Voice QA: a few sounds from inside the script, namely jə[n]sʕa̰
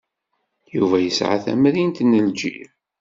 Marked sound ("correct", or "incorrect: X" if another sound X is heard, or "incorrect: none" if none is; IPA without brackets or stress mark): incorrect: none